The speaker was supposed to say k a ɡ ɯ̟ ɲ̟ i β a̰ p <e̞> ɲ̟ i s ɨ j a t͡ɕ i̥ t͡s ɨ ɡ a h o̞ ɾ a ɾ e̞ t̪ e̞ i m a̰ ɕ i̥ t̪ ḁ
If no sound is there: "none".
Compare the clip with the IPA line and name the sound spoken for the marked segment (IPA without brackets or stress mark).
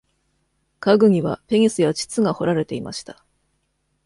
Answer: e̞